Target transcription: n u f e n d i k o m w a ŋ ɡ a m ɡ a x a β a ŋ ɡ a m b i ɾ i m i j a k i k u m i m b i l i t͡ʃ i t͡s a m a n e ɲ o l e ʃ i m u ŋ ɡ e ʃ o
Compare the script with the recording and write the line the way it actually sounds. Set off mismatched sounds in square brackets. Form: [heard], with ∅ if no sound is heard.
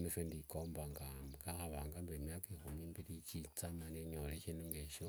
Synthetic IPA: n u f e n d i k o m [b] a ŋ ɡ a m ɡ a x a β a ŋ ɡ a m b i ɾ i m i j a k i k u m i m b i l i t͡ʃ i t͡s a m a n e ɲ o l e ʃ i [n] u ŋ ɡ e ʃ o